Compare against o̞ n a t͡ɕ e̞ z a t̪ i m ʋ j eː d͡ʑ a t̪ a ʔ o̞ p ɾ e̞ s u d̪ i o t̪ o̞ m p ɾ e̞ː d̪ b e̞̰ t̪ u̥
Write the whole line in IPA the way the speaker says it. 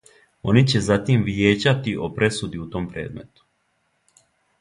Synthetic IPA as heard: o̞ n i t͡ɕ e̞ z a t̪ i m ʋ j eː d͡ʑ a t̪ i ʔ o̞ p ɾ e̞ s u d̪ i u t̪ o̞ m p ɾ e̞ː d̪ m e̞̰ t̪ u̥